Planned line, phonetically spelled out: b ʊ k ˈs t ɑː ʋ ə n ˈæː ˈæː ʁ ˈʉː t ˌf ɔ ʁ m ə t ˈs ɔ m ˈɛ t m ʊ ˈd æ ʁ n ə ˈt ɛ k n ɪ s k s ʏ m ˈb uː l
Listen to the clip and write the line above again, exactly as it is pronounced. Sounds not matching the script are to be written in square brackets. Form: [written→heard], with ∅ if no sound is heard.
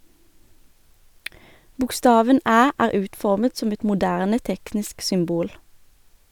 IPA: b ʊ k ˈs t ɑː ʋ ə n ˈæː ˈæː ʁ ˈʉː t ˌf ɔ ʁ m ə t ˈs ɔ m ˈɛ t m ʊ ˈd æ ʁ n ə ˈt ɛ k n ɪ s k s ʏ m ˈb uː l